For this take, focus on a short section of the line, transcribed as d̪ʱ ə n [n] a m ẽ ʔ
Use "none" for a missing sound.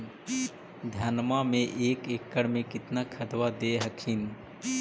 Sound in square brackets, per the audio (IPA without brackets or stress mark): m